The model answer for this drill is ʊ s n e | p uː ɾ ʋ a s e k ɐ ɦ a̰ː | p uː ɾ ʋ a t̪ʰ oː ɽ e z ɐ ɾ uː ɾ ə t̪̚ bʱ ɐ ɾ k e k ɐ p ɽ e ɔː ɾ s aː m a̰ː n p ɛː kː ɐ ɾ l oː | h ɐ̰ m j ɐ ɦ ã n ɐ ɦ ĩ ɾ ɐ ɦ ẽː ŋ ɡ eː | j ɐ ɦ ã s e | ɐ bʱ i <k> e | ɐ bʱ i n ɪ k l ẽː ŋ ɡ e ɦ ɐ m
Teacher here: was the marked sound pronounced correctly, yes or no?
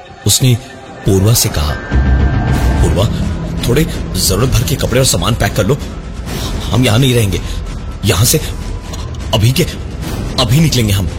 yes